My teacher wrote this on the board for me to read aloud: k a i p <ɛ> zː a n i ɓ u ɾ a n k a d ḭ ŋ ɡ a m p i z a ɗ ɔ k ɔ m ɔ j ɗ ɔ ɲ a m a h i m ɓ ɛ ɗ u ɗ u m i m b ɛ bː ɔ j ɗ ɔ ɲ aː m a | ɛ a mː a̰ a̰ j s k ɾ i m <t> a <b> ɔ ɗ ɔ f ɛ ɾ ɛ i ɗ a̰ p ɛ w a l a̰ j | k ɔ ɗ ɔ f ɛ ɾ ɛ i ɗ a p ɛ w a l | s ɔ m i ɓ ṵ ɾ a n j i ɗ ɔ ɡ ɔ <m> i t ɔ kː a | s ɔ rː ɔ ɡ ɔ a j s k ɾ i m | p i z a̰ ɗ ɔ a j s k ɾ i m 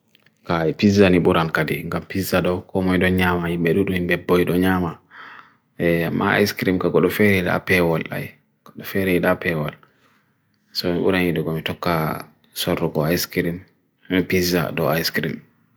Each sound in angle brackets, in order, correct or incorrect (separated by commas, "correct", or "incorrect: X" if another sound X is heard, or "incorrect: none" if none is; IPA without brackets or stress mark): incorrect: i, incorrect: k, incorrect: ɡ, correct